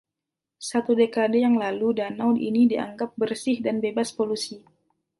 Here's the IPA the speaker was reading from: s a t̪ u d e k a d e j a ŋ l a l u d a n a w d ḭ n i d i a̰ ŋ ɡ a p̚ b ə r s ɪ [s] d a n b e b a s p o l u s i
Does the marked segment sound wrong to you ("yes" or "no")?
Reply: yes